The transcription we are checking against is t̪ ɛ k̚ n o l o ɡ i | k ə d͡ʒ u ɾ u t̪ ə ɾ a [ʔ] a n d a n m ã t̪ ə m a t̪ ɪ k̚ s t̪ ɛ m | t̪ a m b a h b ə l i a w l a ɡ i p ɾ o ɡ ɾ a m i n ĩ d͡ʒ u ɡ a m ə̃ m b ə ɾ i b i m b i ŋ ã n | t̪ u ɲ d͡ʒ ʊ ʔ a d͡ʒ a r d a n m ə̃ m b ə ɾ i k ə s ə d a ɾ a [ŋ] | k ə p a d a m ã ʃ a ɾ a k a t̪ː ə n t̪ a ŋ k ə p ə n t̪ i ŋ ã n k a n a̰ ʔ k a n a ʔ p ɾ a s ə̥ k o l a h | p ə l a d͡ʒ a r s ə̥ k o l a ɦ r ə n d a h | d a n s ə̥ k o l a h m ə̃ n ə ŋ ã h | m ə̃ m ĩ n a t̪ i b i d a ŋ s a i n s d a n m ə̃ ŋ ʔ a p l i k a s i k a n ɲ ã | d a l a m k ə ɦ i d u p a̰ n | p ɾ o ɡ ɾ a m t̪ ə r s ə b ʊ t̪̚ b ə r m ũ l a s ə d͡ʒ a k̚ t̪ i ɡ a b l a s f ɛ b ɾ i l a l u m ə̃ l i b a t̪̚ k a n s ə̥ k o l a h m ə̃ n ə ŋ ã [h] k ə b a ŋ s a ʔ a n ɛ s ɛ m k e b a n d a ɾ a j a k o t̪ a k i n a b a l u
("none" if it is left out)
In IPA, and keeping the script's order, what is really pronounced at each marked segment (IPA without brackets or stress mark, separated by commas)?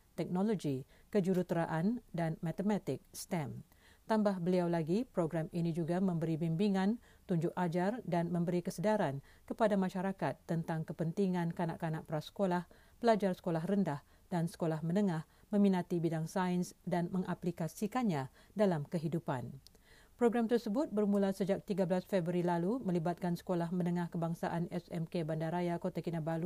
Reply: ʔ, n, h